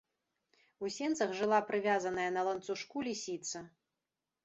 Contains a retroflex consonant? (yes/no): yes